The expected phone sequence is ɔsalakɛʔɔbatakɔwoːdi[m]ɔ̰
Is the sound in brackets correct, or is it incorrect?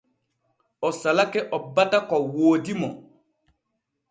correct